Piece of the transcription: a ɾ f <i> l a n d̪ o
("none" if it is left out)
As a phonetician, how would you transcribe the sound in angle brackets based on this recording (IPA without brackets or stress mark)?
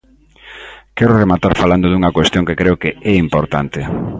a